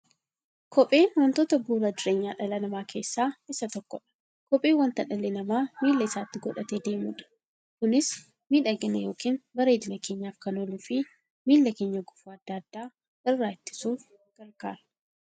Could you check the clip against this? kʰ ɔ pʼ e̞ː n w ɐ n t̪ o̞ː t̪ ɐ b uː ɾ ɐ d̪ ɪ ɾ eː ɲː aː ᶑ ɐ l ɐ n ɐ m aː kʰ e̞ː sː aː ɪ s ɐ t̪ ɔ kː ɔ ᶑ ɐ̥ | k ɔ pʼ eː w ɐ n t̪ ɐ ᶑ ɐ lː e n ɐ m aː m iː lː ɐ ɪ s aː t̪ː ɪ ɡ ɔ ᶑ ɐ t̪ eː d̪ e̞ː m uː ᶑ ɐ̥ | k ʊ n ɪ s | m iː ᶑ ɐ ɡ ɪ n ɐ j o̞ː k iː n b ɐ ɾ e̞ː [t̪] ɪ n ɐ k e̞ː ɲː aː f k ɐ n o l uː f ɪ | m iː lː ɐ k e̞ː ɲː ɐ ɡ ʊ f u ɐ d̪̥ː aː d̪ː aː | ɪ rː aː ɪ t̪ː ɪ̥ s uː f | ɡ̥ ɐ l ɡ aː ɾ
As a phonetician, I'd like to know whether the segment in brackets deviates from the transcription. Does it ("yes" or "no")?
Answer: yes